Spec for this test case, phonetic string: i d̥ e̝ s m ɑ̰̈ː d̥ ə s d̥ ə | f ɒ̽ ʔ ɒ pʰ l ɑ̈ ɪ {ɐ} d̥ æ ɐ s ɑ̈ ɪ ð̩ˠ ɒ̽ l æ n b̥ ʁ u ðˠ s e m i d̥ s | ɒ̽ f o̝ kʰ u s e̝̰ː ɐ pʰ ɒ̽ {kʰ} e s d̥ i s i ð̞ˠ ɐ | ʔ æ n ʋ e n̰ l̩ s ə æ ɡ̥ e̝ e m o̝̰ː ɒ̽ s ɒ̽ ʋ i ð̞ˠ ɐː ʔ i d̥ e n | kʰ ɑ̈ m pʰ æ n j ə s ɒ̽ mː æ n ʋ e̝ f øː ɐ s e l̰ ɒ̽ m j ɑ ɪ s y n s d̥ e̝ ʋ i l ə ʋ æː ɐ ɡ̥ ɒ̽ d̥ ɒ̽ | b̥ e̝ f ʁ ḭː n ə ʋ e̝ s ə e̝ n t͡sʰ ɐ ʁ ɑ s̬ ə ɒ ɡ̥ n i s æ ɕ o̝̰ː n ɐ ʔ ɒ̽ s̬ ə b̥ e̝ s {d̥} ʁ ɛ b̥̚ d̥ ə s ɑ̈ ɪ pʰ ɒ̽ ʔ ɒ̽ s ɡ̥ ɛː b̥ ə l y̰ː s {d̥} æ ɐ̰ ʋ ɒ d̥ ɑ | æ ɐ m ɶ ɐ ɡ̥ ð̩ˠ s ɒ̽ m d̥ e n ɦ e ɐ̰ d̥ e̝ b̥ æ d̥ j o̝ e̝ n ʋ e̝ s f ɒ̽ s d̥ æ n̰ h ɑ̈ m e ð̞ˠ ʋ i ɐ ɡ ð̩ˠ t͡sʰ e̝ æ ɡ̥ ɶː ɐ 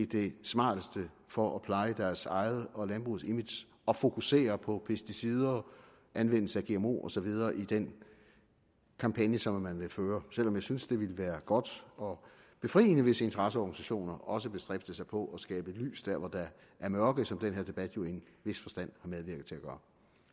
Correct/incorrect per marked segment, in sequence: incorrect, incorrect, correct, correct

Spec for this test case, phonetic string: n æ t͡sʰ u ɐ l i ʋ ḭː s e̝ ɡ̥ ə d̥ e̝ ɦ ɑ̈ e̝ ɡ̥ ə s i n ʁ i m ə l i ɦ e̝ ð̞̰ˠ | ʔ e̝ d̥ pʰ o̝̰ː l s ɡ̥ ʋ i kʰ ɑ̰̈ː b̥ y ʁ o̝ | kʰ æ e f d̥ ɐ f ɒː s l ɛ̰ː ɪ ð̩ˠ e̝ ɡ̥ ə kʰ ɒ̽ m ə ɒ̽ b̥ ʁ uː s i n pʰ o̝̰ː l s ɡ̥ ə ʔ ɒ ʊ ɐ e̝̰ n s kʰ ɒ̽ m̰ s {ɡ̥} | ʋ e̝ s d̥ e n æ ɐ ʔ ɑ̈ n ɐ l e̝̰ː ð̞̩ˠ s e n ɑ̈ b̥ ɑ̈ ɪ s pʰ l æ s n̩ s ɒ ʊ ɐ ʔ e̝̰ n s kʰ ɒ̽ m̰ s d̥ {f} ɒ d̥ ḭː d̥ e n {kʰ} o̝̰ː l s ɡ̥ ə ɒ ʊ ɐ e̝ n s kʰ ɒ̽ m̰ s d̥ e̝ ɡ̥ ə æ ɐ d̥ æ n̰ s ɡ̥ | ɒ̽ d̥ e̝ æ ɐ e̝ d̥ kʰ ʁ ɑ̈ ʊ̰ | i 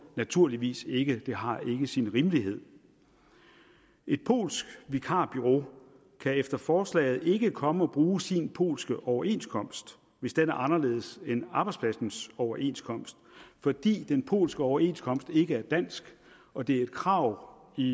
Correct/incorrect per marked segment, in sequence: incorrect, correct, incorrect

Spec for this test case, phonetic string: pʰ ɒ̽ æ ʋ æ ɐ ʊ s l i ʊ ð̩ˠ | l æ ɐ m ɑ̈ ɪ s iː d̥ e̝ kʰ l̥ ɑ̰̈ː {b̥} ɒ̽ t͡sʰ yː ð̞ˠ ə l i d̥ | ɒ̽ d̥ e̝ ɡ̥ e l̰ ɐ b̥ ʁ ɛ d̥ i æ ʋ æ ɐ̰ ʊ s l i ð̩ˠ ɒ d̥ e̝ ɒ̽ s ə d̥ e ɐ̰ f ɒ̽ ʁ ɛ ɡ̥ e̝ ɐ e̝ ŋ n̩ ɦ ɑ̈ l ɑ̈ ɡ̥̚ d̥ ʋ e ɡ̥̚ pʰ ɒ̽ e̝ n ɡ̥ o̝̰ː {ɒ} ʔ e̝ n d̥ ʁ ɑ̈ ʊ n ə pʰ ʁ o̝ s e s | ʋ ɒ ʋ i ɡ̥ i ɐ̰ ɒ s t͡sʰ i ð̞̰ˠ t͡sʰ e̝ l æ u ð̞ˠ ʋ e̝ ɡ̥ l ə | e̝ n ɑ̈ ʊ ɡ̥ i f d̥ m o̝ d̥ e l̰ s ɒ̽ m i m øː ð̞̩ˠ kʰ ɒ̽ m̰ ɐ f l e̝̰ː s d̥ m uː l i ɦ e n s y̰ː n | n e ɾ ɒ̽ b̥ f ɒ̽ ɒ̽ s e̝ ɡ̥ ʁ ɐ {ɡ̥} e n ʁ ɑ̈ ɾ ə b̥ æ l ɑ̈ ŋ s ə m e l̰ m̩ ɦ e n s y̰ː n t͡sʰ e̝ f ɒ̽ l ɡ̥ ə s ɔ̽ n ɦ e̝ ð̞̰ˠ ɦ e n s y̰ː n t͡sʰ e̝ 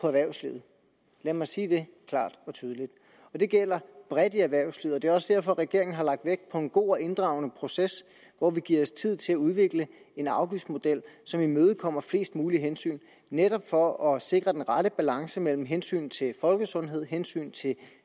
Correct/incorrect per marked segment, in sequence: incorrect, correct, incorrect

